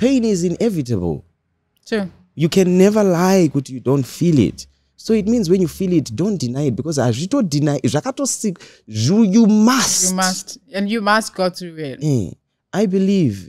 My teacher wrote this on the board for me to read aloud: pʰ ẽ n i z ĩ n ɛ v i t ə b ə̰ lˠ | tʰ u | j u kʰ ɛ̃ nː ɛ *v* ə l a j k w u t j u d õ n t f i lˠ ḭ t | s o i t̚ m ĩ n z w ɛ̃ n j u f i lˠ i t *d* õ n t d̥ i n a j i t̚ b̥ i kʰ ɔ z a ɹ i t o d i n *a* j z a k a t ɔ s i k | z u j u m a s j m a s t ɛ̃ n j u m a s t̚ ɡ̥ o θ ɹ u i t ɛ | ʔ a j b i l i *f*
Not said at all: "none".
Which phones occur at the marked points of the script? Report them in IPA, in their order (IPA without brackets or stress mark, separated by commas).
v, d, a, v